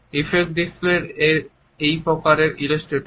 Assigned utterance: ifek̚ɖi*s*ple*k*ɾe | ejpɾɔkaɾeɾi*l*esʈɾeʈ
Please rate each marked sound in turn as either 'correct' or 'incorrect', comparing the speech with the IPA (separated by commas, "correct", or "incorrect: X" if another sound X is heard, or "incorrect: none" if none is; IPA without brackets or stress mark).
correct, incorrect: none, correct